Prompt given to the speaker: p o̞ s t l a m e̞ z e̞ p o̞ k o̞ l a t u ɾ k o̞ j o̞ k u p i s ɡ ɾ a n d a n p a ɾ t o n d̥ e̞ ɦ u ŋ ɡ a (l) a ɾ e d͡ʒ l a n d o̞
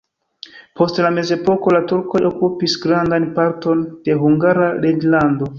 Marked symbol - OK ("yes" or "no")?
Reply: no